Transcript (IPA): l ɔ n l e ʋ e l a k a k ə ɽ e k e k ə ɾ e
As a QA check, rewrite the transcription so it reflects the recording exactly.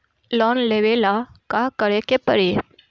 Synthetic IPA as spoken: l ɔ n l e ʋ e l a k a k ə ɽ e k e p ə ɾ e